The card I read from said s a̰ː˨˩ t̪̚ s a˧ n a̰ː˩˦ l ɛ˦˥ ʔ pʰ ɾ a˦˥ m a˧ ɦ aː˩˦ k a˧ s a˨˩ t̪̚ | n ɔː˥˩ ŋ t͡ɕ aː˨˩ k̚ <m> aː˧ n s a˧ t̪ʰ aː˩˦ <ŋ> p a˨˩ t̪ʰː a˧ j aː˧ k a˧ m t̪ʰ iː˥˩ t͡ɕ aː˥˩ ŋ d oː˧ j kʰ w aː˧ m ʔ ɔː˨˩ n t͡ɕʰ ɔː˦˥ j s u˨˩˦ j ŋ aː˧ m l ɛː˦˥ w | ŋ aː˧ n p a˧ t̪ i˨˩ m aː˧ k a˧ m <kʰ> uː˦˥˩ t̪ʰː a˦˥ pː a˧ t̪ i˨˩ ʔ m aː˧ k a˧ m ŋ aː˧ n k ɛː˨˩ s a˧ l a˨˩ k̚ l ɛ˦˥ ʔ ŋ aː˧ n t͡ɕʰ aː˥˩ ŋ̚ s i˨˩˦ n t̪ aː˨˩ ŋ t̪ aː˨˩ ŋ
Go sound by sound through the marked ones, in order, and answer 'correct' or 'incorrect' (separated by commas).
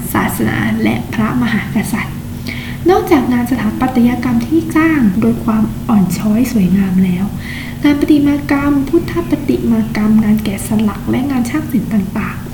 incorrect, incorrect, incorrect